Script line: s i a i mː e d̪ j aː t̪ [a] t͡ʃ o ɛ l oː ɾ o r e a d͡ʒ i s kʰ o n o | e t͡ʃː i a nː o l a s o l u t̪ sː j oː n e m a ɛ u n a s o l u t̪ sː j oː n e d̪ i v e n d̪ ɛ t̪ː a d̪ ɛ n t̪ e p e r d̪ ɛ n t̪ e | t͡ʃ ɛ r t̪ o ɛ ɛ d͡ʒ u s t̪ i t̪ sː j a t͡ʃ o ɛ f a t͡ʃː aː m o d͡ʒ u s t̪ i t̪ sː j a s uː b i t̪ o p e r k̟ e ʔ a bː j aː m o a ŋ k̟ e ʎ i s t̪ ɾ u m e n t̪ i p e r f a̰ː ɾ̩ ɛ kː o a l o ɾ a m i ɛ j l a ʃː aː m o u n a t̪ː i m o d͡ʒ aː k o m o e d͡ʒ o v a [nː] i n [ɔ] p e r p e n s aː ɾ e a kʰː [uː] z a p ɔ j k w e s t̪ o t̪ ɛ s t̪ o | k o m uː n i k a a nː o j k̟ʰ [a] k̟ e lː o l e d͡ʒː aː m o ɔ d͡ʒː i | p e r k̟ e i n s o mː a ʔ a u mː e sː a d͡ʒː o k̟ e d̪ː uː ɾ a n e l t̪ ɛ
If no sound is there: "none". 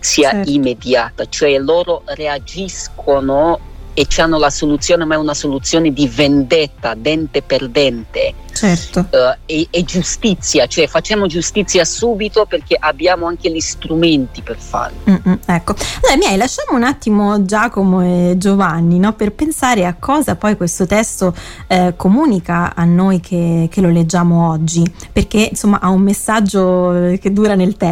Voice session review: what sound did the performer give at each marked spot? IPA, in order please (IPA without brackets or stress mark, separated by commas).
a, nː, ɔ, ɔː, e